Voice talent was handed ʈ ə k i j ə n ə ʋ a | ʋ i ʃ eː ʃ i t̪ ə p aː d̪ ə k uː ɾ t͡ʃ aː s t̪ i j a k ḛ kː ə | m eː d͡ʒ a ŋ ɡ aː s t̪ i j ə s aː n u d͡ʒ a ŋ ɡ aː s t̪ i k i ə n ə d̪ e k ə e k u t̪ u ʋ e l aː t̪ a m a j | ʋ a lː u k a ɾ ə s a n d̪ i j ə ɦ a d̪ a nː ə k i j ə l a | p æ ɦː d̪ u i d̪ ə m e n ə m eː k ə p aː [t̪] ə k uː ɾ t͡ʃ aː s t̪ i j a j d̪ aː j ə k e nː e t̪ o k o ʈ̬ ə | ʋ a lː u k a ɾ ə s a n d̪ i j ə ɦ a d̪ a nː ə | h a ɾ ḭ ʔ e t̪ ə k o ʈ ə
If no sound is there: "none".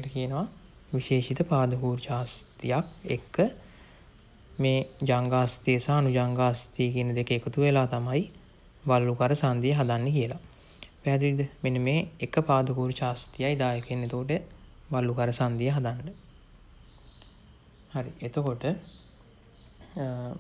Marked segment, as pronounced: d̪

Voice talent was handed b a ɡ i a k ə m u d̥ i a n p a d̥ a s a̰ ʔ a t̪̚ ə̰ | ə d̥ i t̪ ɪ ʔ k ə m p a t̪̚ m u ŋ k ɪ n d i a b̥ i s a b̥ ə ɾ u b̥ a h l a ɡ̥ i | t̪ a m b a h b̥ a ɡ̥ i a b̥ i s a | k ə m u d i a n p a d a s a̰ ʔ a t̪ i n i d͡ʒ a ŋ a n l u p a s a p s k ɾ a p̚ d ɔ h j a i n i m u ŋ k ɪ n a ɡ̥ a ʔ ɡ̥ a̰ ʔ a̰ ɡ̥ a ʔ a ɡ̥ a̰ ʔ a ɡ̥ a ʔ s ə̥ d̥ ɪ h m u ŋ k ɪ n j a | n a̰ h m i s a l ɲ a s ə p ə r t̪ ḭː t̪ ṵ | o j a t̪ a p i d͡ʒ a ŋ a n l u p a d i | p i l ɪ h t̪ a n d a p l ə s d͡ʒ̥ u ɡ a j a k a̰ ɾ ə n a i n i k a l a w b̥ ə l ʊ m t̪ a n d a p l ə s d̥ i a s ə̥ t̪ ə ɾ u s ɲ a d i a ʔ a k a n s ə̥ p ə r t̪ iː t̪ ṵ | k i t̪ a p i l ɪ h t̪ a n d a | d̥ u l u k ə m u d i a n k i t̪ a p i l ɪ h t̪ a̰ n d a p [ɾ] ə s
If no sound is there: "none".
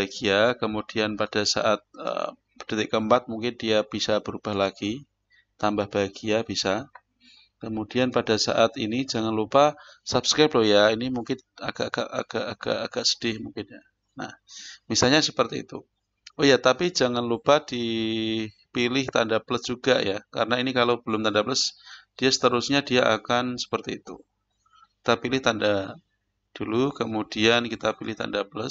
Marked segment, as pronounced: l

